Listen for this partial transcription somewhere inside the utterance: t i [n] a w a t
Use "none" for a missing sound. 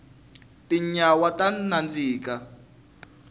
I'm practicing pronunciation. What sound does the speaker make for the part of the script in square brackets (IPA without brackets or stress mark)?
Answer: ɲ